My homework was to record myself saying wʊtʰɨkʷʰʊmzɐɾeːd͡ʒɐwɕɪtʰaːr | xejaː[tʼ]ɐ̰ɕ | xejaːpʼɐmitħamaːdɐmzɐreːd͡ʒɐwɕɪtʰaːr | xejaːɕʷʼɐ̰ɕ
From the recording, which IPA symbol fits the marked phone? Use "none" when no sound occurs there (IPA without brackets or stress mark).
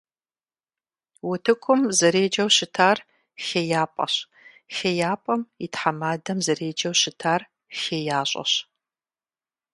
pʼ